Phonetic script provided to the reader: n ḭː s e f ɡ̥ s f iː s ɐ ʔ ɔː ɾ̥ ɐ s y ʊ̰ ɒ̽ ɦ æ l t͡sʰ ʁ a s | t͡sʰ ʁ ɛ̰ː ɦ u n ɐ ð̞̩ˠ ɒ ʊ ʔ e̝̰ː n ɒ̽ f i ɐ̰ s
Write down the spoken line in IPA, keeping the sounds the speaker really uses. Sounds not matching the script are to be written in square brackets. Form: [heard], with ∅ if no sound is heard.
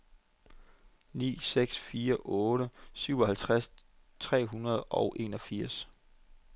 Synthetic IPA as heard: n ḭː s e [∅] ɡ̥ s f iː [∅] ɐ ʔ ɔː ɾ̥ [ə] s y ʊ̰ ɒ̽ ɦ æ l t͡sʰ ʁ a s | t͡sʰ ʁ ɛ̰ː ɦ u n ɐ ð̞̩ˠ ɒ ʊ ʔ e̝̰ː n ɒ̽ f i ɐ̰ s

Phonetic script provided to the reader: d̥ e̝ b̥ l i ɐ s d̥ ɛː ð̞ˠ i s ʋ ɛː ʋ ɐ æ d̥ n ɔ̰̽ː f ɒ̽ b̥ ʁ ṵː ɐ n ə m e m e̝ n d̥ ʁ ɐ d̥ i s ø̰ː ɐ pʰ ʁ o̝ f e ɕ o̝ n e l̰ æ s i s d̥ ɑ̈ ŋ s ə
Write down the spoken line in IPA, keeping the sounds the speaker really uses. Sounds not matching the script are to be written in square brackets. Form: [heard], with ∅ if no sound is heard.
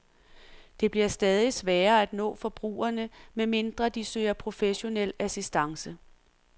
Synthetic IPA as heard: d̥ e̝ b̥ l i ɐ s d̥ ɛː ð̞ˠ i s ʋ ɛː [∅] ɐ æ d̥ n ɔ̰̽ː f ɒ̽ b̥ ʁ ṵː ɐ n ə m e m e̝ n d̥ ʁ ɐ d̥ i s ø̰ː ɐ pʰ ʁ o̝ f e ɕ o̝ n e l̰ æ s i s d̥ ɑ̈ ŋ s ə

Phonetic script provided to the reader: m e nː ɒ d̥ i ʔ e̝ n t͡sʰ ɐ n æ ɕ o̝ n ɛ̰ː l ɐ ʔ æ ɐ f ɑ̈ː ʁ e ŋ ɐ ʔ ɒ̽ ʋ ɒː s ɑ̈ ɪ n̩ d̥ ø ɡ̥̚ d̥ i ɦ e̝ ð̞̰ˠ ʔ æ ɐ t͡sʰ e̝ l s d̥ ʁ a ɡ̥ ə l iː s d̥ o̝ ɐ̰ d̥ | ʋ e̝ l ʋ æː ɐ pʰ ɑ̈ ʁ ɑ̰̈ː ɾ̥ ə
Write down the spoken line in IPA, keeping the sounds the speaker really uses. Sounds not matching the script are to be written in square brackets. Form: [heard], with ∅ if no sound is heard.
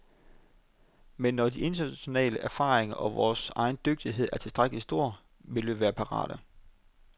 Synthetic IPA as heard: m e nː ɒ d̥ i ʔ e̝ n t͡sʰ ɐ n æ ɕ o̝ n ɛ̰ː l [ə] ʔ æ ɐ f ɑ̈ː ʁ e ŋ ɐ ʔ ɒ̽ ʋ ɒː s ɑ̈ ɪ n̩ d̥ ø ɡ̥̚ d̥ i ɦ e̝ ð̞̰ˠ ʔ æ ɐ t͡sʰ e̝ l s d̥ ʁ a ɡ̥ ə l [i] s d̥ o̝ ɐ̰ [∅] | ʋ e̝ l ʋ æː ɐ pʰ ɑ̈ ʁ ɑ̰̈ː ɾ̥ ə

